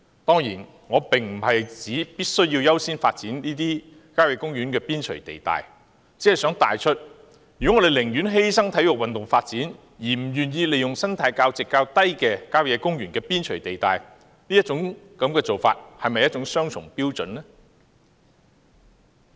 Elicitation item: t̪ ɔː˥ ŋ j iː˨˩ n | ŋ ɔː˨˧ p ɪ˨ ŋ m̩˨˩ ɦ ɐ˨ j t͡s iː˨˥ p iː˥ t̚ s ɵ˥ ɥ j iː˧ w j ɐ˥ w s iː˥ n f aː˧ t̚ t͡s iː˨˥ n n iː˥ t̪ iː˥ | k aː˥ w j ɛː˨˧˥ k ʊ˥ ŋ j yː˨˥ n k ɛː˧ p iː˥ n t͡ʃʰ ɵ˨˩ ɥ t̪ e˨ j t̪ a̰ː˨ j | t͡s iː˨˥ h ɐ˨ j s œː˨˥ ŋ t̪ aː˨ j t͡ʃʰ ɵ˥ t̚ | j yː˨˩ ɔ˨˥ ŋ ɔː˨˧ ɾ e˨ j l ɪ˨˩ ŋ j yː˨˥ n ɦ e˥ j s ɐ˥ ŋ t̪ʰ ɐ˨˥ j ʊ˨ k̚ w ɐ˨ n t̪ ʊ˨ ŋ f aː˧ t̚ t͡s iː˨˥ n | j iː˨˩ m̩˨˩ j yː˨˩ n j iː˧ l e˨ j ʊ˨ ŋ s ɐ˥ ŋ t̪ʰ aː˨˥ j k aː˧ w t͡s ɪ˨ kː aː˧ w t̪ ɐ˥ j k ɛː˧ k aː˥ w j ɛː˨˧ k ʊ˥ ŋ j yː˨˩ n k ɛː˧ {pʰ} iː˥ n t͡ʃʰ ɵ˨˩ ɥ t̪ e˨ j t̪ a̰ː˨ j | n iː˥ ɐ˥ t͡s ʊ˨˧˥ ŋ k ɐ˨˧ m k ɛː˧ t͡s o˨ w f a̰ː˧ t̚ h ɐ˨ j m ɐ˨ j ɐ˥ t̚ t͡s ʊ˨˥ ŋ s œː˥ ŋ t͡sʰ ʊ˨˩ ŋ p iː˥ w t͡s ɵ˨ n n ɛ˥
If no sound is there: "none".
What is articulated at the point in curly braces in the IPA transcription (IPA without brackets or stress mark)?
p